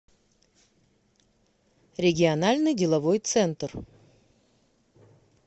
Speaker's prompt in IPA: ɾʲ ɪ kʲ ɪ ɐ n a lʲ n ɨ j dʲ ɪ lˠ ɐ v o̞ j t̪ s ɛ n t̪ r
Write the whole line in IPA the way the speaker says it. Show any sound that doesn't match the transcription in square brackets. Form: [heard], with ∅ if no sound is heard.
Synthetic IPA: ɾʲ ɪ [ɡʲ] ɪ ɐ n a lʲ n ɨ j dʲ ɪ lˠ ɐ v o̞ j t̪ s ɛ n t̪ r